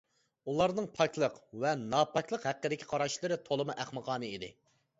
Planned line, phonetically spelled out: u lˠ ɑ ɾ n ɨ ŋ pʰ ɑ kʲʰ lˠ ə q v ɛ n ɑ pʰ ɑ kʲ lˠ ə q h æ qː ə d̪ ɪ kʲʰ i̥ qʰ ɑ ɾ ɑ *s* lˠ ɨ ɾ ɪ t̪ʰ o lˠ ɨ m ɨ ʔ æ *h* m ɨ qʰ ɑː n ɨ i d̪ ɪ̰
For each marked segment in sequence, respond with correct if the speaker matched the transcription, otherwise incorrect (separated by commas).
incorrect, incorrect